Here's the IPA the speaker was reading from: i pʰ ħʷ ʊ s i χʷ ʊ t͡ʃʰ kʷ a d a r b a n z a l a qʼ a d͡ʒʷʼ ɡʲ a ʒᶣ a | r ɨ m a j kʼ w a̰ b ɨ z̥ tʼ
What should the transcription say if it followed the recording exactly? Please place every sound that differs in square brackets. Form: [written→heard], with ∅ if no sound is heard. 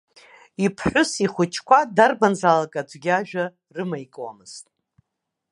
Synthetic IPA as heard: i pʰ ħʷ ʊ s i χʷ ʊ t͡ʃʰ kʷ a d a r b a n z a l a [qʼ→kʼ] a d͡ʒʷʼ ɡʲ a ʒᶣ a | r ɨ m a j kʼ w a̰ [b→m] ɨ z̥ tʼ